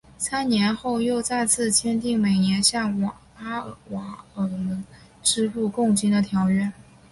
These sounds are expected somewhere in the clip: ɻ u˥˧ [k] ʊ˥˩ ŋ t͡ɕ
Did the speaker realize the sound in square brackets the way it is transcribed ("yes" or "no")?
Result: yes